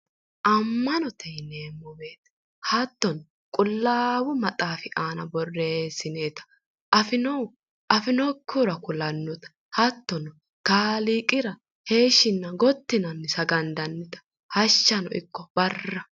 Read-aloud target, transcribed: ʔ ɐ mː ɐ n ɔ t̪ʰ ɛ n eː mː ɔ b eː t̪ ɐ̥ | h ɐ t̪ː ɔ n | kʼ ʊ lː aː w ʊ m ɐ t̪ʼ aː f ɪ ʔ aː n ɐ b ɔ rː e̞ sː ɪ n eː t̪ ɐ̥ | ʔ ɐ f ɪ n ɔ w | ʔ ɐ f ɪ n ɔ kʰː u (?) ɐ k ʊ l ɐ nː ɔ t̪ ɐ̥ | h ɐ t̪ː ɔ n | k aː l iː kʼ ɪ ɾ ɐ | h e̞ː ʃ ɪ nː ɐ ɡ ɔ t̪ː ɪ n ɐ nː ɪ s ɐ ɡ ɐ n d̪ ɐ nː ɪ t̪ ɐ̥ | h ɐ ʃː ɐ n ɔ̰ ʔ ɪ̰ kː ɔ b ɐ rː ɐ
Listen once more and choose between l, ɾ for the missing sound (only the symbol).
ɾ